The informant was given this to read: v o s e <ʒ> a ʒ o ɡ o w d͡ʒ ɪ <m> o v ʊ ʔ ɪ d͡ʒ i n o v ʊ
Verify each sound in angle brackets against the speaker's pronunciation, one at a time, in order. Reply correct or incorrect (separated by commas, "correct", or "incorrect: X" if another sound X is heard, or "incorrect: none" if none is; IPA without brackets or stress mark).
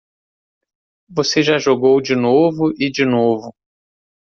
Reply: correct, incorrect: n